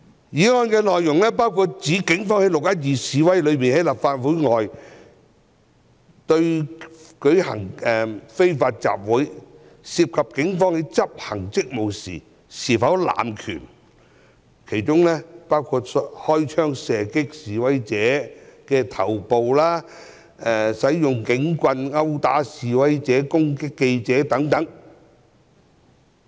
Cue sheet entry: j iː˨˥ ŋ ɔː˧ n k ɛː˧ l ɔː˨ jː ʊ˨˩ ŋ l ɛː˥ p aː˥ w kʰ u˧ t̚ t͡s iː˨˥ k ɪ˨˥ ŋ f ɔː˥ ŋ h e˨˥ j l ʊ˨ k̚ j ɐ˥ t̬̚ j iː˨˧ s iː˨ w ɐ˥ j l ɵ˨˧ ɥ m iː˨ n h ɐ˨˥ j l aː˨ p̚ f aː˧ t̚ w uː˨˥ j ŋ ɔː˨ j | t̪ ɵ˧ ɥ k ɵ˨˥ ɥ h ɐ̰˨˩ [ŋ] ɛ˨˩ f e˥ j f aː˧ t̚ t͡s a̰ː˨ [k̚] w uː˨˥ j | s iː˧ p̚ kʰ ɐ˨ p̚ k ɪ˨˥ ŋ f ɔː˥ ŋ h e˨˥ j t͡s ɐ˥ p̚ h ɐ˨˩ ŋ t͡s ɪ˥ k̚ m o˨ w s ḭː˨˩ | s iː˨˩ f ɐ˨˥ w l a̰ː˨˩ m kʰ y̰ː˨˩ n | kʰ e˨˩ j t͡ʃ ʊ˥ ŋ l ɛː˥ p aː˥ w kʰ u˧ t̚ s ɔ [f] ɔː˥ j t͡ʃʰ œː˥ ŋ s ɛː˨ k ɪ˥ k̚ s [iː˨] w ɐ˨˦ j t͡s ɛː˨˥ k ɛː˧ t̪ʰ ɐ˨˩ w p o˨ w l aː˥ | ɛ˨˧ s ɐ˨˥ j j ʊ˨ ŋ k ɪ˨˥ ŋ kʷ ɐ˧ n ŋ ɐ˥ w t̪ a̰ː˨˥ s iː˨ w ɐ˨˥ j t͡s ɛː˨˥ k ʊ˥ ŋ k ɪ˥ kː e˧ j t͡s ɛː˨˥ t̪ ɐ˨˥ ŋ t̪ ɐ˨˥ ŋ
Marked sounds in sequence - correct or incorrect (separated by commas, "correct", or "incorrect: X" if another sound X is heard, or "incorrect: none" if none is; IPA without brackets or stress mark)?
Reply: correct, incorrect: p̚, incorrect: h, correct